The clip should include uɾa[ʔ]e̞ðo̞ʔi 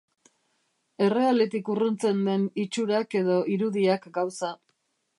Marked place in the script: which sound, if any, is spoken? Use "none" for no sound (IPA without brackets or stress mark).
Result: k